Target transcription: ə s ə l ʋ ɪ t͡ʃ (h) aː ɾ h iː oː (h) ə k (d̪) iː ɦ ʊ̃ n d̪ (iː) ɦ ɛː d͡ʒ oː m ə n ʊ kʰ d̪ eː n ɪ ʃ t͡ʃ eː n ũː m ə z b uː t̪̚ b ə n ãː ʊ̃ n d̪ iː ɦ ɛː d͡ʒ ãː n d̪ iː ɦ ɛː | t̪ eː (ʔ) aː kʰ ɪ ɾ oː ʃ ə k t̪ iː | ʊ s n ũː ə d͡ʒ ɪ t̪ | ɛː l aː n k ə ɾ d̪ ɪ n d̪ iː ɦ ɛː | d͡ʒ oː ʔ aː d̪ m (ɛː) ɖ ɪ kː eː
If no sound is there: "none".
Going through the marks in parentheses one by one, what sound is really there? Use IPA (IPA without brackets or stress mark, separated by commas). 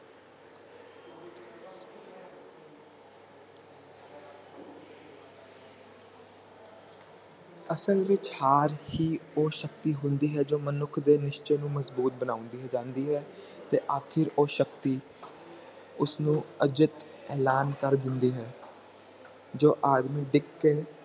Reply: h, ʃ, t̪, iː, ʔ, iː